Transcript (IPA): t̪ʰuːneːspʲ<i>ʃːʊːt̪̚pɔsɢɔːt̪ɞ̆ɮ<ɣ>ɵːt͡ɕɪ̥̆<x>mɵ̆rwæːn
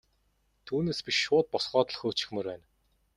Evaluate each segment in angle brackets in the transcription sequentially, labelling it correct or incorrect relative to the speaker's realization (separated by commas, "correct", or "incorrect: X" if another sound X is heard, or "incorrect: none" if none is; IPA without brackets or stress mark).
correct, incorrect: x, correct